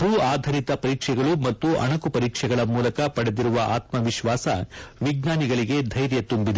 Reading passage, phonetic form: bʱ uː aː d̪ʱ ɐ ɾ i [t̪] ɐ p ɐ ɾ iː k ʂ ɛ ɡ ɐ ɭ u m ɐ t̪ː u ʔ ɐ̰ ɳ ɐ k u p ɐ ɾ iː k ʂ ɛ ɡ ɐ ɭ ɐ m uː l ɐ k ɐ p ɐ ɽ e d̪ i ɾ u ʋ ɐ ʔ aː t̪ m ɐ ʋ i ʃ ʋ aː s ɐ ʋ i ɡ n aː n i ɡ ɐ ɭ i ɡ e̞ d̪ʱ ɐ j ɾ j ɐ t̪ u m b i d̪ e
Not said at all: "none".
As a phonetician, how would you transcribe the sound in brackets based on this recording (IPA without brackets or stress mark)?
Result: t̪